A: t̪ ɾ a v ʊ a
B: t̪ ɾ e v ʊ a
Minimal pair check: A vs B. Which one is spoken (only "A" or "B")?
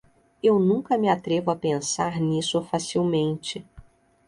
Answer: B